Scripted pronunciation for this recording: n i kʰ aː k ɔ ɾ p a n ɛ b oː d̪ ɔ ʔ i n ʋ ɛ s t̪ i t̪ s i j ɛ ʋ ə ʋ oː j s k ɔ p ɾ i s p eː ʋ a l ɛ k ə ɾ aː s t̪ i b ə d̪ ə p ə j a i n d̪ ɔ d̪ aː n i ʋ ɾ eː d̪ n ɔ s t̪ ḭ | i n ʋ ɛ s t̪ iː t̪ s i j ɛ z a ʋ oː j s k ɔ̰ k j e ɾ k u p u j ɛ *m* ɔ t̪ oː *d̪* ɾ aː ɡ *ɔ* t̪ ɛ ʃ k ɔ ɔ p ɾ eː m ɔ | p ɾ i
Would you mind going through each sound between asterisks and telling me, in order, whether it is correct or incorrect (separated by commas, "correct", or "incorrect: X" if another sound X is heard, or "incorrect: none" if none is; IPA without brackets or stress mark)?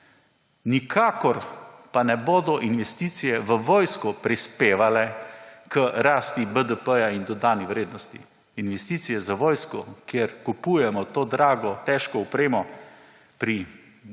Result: correct, correct, correct